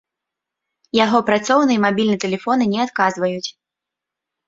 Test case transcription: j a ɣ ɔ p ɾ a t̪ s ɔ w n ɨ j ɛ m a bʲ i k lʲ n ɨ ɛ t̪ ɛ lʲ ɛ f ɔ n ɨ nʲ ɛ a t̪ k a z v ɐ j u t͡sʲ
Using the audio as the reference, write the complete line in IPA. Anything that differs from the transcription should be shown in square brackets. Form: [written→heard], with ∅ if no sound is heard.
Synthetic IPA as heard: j a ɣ ɔ p ɾ a t̪ s ɔ w n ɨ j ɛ m a bʲ i [k→∅] lʲ n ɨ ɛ t̪ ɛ lʲ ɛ f ɔ n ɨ nʲ ɛ a t̪ k a z v ɐ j u t͡sʲ